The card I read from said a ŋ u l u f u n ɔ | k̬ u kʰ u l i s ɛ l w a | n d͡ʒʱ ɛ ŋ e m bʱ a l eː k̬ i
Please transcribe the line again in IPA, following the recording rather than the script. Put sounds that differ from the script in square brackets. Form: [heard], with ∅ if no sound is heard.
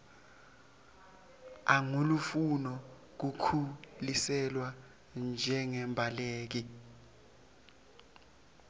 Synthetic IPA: a ŋ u l u f u n ɔ | k̬ u kʰ u l i s ɛ l w a | n d͡ʒʱ ɛ ŋ [ɛ] m bʱ a l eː k̬ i